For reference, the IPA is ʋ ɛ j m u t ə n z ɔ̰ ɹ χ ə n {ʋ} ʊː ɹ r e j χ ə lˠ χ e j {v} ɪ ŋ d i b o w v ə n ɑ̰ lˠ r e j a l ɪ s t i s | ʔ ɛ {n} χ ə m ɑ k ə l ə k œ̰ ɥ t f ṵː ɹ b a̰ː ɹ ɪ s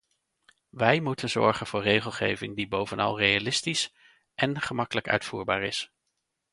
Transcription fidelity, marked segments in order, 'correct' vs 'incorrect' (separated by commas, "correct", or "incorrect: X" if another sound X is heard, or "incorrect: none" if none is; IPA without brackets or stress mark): incorrect: v, correct, correct